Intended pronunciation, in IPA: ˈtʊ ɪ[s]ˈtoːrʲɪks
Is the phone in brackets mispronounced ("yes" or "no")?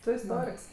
no